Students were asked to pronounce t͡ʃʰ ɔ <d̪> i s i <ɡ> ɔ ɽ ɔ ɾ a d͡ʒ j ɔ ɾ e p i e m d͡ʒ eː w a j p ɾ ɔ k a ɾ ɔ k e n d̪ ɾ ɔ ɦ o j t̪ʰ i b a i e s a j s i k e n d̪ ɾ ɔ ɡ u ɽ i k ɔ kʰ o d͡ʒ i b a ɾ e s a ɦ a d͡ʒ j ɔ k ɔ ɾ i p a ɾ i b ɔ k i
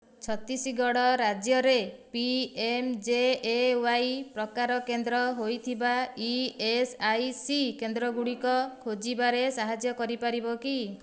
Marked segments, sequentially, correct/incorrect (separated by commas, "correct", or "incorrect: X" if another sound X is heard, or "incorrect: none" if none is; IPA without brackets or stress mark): incorrect: t̪, correct